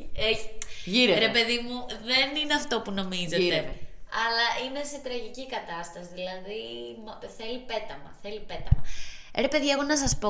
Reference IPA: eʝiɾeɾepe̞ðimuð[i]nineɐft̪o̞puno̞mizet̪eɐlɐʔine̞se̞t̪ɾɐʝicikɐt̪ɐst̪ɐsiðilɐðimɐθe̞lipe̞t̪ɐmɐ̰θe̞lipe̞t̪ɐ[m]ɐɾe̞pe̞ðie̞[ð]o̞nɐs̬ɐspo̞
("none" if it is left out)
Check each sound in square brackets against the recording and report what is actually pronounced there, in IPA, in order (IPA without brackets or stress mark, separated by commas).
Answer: e, m, ɣ